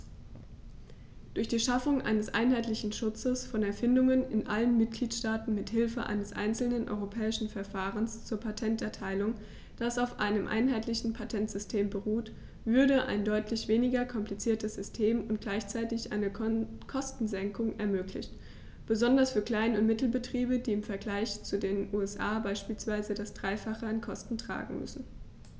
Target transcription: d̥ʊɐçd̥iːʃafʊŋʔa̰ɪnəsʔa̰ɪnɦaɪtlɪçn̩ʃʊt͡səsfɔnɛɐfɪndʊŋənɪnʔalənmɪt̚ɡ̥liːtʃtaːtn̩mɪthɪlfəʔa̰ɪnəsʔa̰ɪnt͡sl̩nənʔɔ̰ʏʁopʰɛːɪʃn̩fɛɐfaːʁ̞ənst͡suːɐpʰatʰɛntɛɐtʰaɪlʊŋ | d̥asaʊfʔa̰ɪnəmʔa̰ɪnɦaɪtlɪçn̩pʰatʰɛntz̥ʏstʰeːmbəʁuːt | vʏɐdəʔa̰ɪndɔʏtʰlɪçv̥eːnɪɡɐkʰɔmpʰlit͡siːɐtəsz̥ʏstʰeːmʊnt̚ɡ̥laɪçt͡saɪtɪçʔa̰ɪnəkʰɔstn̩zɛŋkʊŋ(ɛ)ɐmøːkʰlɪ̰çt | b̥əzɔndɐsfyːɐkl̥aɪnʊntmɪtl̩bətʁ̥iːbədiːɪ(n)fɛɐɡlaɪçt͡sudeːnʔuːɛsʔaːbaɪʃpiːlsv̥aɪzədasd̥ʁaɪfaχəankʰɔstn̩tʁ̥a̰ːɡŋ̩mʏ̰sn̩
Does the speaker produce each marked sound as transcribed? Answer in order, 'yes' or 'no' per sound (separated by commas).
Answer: yes, no